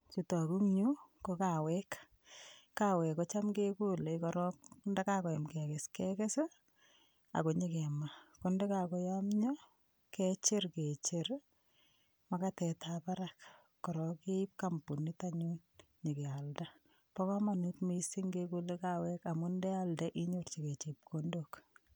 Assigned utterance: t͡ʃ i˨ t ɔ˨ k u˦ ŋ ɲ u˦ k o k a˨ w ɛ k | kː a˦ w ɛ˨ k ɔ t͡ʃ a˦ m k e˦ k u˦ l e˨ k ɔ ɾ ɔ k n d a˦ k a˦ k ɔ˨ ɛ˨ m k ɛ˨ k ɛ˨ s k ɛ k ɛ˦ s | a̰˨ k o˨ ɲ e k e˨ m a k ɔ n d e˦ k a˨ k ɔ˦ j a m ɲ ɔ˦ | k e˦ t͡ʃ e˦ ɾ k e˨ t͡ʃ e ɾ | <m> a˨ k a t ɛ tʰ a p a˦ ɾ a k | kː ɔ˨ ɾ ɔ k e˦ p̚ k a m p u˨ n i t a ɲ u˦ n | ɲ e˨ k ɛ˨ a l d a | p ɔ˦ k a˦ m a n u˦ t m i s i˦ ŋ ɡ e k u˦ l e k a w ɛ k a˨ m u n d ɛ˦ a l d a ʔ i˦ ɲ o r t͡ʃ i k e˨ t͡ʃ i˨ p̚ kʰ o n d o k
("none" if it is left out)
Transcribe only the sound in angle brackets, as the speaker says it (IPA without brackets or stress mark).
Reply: m